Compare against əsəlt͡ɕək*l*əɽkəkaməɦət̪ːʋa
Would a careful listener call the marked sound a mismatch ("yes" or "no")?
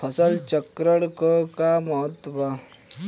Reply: yes